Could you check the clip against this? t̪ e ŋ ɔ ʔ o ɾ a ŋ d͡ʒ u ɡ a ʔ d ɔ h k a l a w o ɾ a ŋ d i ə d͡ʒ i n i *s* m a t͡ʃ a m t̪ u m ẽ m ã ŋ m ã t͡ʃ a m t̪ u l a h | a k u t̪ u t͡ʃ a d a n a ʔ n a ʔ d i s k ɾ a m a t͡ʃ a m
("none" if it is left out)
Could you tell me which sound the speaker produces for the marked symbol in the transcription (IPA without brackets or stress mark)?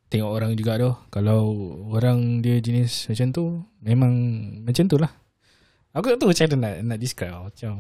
s